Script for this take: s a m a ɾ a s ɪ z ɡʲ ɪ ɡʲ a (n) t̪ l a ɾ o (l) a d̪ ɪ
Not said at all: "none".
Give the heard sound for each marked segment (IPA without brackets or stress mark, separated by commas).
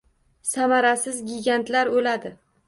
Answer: n, l